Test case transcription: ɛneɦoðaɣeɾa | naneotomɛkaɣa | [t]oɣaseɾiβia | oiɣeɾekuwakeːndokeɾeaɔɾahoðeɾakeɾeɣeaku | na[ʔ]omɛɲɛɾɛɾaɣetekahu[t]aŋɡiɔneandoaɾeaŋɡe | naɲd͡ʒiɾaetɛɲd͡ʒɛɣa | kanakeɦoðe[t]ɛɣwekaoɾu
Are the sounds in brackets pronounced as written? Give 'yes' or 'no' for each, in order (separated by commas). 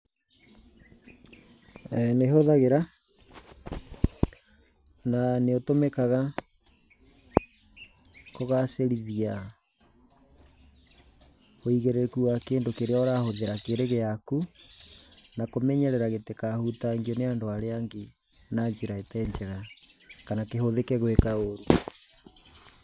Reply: no, no, yes, no